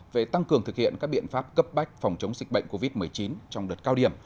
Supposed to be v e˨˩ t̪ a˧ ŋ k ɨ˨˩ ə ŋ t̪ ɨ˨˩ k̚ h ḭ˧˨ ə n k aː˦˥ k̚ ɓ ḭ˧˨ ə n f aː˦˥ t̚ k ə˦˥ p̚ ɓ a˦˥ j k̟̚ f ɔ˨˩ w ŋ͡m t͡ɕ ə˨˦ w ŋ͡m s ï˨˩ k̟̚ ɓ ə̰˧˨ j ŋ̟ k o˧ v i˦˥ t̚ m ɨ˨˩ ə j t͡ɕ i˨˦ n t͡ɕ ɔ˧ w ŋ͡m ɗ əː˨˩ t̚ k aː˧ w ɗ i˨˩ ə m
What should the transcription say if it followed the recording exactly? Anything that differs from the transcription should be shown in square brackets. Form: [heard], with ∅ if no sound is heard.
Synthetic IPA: v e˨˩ t̪ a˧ ŋ k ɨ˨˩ ə ŋ t̪ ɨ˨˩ k̚ h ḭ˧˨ ə n k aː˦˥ k̚ ɓ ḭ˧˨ ə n f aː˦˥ [p̚] k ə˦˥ p̚ ɓ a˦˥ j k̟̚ f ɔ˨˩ w ŋ͡m t͡ɕ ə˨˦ w ŋ͡m [z] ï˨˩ k̟̚ ɓ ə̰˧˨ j ŋ̟ k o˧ v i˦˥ t̚ m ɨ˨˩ ə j t͡ɕ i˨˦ n t͡ɕ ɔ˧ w ŋ͡m ɗ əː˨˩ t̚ k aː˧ w ɗ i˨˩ ə m

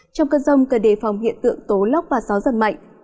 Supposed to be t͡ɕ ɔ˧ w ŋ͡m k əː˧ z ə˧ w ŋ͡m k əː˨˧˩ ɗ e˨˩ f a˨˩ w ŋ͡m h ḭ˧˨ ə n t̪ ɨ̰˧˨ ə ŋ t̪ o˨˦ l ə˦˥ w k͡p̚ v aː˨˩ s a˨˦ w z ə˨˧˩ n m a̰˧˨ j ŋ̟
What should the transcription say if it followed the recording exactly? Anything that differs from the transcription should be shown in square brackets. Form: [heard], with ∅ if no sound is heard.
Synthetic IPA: t͡ɕ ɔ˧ w ŋ͡m k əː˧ z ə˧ w ŋ͡m k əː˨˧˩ ɗ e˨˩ f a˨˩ w ŋ͡m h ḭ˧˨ ə n t̪ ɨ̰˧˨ ə ŋ t̪ o˨˦ l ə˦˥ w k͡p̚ v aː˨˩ s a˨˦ w z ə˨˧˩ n m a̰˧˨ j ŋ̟

